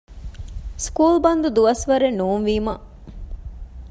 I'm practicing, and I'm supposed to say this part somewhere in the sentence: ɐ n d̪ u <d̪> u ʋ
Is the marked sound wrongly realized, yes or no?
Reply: no